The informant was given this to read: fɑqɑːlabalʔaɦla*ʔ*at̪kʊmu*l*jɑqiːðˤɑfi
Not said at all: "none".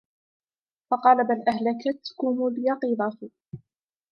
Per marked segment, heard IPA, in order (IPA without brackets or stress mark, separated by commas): k, l